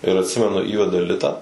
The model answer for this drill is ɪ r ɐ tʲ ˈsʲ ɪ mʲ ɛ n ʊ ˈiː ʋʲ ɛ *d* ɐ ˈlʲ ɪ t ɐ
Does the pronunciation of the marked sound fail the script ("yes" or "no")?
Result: no